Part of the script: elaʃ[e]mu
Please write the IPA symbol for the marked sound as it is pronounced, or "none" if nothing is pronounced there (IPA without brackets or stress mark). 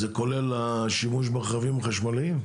i